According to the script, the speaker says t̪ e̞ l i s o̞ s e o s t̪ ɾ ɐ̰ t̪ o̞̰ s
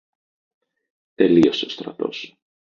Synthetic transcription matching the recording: t̪ e̞ l i o̞ s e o s t̪ ɾ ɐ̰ t̪ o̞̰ s